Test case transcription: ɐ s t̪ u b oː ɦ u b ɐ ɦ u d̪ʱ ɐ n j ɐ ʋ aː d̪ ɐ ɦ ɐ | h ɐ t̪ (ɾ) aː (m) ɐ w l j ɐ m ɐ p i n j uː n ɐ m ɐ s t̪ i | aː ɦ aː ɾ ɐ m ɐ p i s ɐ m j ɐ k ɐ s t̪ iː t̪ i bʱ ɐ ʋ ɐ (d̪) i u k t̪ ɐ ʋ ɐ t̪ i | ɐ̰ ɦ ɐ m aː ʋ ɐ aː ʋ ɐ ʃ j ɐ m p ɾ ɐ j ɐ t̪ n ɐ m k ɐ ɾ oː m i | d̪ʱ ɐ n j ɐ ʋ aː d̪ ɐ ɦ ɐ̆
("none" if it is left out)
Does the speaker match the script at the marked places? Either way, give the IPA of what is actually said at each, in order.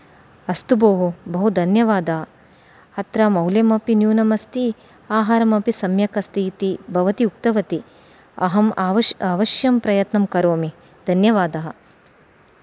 ɾ, m, t̪

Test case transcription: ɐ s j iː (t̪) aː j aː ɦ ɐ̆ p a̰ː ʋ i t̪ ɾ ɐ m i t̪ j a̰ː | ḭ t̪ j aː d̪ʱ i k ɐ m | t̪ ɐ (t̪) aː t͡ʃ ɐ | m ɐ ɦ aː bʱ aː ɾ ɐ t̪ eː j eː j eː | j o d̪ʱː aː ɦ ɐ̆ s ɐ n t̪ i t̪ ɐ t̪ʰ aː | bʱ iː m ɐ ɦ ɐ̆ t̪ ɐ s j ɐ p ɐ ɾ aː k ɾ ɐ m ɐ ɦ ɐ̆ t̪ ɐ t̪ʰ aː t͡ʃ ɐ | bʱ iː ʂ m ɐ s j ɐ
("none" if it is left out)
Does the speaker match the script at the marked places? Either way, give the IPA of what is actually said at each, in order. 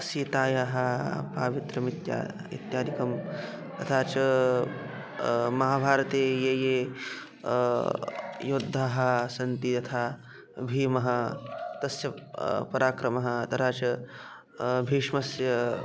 t̪, t̪ʰ

